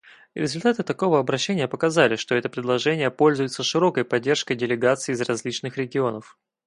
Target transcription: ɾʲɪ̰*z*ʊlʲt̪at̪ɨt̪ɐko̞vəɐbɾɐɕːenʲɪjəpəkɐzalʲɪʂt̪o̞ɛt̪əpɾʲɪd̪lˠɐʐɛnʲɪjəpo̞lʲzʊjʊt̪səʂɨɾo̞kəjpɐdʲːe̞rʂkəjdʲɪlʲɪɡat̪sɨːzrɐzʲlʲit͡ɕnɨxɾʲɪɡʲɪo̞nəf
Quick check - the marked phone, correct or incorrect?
correct